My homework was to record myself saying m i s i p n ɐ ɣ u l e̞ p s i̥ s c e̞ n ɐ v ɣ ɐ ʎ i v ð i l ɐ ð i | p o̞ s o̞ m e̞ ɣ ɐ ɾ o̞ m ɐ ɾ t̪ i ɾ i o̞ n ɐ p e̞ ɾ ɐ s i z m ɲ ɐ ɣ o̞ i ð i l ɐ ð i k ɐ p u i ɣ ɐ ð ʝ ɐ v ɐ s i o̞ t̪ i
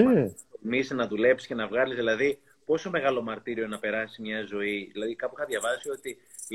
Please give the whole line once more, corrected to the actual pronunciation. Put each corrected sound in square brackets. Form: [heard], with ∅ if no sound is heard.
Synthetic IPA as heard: m i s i [∅] n ɐ [ð] u l e̞ p s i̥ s c e̞ n ɐ v ɣ ɐ [l] i [z] ð i l ɐ ð i | p o̞ s o̞ m e̞ ɣ ɐ [l] o̞ m ɐ ɾ t̪ i ɾ i o̞ n ɐ p e̞ ɾ ɐ s i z m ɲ ɐ [z] o̞ i ð i l ɐ ð i k ɐ p u i [x] ɐ ð ʝ ɐ v ɐ s i o̞ t̪ i